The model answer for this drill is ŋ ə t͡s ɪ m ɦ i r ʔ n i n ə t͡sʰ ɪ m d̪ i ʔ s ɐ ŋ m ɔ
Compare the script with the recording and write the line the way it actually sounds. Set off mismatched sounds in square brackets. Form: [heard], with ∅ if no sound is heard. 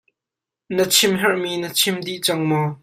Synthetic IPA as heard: [n] ə [t͡sʰ] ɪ m ɦ [ɛ] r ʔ [m] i n ə t͡sʰ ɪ m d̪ i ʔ [t͡s] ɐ ŋ m ɔ